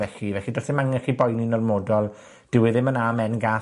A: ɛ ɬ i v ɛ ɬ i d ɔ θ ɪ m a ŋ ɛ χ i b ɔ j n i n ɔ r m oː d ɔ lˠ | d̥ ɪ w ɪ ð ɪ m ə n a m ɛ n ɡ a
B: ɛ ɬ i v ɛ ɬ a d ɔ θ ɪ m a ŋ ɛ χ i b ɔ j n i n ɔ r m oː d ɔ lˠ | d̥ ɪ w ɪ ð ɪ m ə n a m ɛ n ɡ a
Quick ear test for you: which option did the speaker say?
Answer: A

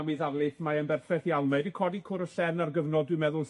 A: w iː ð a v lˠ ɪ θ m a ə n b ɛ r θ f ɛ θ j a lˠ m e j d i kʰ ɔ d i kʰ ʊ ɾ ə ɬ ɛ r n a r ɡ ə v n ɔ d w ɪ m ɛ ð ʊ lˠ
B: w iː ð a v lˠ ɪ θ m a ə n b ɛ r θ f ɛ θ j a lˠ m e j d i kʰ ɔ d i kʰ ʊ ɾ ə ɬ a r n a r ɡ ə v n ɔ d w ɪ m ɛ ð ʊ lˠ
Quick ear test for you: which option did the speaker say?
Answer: A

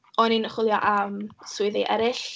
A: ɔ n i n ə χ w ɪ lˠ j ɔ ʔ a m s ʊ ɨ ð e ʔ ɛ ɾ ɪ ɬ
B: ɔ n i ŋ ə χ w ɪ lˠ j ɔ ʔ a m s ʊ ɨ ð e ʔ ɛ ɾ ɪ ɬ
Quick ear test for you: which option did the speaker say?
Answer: A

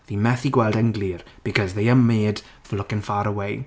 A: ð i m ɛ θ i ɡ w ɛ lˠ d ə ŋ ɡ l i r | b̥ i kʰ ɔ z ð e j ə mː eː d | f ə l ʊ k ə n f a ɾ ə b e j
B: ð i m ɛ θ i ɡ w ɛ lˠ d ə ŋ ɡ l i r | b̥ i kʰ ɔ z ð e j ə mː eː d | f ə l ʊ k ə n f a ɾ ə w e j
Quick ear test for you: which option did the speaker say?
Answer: B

